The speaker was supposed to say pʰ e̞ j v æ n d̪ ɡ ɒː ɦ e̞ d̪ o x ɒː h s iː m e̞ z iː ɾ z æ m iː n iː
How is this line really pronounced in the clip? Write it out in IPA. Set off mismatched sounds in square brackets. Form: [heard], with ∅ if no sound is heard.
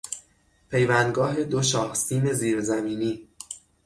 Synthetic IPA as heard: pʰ e̞ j v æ n d̪ ɡ ɒː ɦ e̞ d̪ o [ʃ] ɒː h s iː m e̞ z iː ɾ z æ m iː n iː